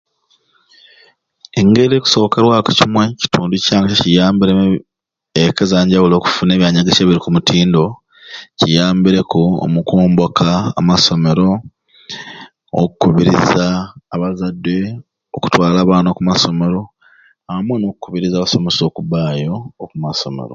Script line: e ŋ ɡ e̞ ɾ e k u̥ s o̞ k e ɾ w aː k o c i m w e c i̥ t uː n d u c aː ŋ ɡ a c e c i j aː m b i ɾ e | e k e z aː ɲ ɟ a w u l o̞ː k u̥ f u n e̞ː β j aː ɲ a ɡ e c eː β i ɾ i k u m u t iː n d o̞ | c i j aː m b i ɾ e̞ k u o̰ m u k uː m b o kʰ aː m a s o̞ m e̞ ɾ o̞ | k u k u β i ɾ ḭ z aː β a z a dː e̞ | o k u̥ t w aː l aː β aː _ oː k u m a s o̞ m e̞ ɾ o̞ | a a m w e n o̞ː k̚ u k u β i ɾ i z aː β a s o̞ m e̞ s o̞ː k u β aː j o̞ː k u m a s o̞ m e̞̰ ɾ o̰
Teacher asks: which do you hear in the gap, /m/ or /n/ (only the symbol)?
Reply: n